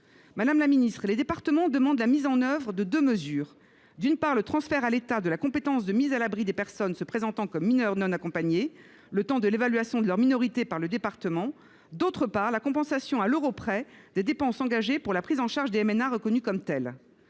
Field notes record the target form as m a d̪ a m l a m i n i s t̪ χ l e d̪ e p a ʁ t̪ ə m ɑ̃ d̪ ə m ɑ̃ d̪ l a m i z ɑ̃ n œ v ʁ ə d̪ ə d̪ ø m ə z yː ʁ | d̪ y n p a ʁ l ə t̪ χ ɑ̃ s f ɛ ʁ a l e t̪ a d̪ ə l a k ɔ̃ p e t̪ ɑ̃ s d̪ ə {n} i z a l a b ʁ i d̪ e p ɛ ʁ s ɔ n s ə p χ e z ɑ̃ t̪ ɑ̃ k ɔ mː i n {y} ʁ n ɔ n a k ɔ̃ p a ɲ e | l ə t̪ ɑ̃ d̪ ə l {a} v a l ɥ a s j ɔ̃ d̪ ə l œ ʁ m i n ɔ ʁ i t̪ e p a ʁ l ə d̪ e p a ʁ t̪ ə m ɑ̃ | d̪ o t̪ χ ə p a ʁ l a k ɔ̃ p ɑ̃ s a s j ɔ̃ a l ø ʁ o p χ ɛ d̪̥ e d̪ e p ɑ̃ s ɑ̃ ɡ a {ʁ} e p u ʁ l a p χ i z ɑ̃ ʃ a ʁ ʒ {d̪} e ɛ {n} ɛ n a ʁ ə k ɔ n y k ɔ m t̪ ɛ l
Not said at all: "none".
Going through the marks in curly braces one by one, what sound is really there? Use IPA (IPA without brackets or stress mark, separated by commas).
m, œ, e, ʒ, d̪, m